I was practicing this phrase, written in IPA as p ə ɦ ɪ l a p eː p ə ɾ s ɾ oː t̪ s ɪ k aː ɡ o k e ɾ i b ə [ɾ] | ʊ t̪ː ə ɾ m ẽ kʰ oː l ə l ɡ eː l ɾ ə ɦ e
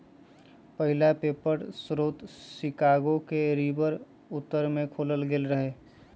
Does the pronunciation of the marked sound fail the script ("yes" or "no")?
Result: no